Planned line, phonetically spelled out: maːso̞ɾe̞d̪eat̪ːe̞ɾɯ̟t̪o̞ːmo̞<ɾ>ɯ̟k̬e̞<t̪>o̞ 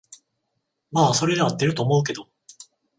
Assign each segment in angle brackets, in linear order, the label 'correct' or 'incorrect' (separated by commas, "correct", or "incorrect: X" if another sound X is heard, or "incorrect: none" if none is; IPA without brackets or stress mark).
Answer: incorrect: none, incorrect: d̪